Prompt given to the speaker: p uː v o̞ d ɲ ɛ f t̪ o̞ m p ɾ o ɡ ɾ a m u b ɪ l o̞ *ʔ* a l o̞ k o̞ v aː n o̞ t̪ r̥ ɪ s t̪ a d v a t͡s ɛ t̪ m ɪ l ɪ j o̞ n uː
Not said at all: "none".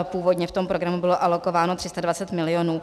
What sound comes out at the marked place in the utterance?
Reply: ʔ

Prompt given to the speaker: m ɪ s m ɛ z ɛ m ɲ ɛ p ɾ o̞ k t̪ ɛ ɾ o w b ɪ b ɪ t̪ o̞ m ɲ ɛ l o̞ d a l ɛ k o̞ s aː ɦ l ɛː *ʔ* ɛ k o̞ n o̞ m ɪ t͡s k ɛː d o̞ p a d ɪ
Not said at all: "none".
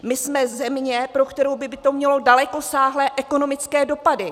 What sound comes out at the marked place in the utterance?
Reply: ʔ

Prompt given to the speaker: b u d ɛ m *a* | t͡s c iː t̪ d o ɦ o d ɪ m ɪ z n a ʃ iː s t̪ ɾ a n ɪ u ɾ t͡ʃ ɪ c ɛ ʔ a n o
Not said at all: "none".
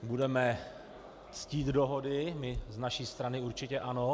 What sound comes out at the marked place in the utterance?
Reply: ɛ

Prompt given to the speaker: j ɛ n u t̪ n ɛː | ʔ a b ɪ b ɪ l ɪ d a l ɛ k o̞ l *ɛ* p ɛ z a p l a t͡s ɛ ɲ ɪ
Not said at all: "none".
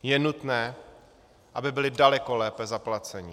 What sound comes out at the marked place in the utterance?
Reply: ɛː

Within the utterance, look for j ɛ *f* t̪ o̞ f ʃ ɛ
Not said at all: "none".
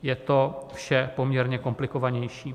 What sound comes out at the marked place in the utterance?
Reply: none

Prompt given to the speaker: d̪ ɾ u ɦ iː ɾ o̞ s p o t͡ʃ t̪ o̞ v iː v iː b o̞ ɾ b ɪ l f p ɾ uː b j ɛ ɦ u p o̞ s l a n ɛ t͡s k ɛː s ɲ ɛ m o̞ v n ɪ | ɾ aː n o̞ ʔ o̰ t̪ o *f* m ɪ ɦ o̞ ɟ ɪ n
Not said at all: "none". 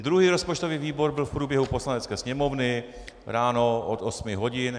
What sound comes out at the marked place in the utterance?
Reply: s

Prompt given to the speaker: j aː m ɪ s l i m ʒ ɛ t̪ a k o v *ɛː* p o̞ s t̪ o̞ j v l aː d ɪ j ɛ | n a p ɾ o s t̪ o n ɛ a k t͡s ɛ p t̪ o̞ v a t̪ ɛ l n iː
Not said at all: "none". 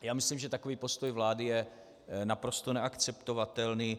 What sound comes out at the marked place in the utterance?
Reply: iː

